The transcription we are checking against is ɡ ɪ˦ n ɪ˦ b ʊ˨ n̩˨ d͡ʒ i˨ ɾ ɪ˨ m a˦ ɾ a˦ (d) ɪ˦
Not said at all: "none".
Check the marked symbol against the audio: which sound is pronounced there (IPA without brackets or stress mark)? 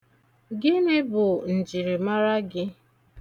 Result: ɡ